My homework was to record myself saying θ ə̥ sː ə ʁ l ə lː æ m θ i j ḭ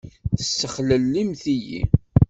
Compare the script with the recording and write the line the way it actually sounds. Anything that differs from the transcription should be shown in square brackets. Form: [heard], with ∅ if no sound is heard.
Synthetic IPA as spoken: θ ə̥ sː ə [χ] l ə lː [i] m θ i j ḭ